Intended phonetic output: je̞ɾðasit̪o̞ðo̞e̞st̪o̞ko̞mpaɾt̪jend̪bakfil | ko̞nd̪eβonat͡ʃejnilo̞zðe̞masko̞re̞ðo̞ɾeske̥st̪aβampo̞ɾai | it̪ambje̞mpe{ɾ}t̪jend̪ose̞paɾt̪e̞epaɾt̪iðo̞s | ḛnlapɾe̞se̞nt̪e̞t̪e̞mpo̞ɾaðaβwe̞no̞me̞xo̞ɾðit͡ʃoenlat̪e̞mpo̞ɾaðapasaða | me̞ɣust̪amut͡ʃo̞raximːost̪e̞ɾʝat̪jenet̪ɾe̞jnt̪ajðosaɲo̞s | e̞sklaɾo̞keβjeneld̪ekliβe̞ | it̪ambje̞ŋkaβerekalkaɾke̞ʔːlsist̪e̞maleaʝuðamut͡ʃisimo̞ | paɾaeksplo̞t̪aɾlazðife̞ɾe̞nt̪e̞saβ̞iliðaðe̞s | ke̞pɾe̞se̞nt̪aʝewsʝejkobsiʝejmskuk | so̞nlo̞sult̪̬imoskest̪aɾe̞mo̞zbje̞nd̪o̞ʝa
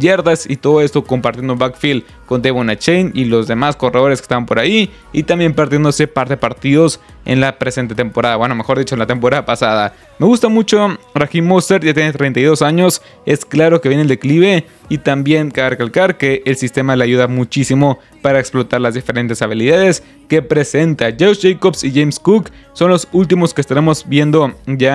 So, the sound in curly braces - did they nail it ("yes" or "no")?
yes